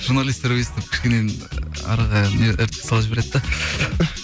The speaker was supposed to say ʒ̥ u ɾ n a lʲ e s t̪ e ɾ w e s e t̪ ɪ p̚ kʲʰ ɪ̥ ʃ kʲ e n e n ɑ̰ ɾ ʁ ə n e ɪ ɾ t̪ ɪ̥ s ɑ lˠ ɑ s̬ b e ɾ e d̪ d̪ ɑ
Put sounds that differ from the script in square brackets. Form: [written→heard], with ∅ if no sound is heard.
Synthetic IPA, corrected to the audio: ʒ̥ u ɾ n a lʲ [e→i] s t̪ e ɾ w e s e t̪ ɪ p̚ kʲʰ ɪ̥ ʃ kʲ e n e n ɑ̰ ɾ ʁ [ə→ɑ] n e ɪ ɾ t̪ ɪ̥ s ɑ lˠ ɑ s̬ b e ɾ e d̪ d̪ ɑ